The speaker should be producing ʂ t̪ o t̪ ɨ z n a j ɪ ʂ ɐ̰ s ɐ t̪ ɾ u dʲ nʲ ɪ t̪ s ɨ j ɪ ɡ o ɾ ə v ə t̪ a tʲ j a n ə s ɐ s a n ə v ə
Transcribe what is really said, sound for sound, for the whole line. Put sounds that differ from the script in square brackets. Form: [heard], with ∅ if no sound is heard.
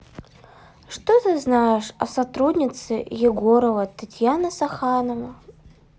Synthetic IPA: ʂ t̪ o t̪ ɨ z n a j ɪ ʂ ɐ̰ s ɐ t̪ ɾ u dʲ nʲ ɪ t̪ s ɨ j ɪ ɡ o ɾ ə v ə t̪ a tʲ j a n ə s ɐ [x] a n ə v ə